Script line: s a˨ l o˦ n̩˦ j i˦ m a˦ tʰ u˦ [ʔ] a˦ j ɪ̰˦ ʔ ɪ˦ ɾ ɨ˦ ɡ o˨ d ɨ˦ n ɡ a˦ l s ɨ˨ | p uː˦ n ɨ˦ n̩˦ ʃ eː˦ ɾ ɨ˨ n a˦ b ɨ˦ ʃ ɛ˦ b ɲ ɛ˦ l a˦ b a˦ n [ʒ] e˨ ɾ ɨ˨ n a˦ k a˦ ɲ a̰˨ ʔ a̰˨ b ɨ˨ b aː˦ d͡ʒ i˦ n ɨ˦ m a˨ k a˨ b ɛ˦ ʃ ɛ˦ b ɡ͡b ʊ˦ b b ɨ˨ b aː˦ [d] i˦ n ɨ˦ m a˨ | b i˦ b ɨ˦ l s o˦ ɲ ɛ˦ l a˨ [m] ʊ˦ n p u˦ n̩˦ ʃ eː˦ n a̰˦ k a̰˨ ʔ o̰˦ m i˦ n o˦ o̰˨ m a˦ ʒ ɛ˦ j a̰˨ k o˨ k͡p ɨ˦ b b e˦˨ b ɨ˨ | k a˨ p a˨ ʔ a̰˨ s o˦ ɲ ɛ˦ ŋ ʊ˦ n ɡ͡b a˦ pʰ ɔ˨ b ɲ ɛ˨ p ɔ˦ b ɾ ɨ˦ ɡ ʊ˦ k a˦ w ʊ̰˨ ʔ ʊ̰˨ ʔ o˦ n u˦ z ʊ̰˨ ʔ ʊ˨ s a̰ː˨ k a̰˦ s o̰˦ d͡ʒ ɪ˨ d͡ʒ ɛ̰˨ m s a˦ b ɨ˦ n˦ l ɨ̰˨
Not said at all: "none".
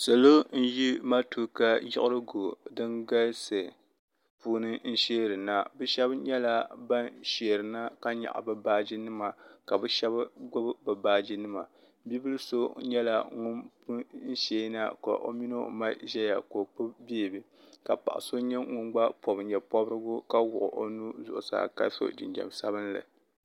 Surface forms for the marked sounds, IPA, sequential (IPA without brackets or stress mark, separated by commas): k, ʃ, d͡ʒ, ŋ